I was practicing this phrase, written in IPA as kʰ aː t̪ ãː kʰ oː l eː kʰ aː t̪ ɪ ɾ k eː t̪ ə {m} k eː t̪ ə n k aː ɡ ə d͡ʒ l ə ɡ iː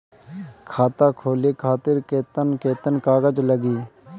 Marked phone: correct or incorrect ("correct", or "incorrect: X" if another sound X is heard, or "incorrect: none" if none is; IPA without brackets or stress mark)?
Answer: incorrect: n